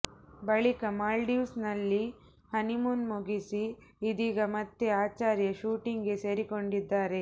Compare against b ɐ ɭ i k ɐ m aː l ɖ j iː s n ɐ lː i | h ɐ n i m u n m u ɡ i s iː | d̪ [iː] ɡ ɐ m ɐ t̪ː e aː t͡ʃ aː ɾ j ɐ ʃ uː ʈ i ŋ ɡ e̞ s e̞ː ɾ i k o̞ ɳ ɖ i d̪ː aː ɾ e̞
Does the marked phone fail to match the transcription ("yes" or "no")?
no